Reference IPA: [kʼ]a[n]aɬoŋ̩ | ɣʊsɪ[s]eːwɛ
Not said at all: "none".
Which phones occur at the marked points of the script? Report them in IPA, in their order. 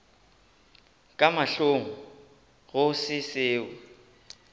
kʼ, m, s

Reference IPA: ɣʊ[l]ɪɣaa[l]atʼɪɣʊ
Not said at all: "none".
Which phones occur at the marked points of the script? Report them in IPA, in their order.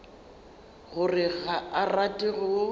r, r

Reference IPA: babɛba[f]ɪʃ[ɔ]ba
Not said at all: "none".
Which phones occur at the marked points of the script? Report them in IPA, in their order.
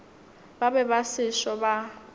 s, ɔ

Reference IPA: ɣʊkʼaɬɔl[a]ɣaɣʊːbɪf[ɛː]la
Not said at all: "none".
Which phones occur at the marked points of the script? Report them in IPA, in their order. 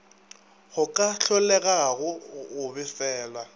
ɛ, ɛː

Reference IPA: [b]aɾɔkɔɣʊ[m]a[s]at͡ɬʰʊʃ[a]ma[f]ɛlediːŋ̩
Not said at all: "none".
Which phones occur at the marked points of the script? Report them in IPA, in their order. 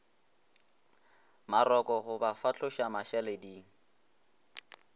m, b, f, a, ʃ

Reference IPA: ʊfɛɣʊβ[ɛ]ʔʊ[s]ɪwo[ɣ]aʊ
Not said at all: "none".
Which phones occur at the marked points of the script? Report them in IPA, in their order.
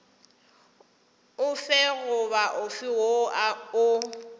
a, f, none

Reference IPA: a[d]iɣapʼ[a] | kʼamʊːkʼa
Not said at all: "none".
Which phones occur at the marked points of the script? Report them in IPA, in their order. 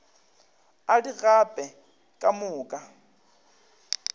d, ɛ

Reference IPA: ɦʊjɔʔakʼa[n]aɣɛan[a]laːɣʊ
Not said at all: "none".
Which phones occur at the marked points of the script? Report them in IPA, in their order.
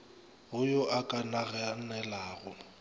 n, ɛ

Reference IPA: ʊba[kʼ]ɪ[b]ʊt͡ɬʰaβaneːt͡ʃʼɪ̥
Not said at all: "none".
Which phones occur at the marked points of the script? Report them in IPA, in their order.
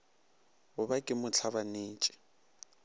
kʼ, m

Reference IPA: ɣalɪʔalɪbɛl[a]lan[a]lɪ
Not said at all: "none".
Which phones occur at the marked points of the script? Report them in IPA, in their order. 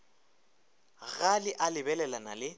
ɛ, a

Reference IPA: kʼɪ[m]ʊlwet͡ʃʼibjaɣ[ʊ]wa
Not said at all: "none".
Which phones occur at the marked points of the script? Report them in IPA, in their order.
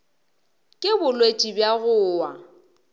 b, ʊː

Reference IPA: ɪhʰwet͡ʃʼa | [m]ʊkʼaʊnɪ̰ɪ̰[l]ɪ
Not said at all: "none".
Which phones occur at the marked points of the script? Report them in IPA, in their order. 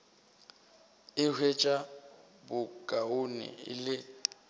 b, l

